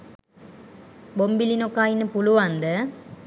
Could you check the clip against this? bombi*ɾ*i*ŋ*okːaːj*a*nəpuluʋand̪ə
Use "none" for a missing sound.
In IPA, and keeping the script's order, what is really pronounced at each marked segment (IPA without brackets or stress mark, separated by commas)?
l, n, i